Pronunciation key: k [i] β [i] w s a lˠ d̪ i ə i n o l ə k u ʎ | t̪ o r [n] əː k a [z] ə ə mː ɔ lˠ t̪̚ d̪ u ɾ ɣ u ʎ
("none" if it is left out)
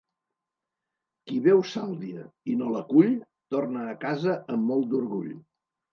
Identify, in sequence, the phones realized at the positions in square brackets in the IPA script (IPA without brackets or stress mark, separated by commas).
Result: i, ɛ, n, z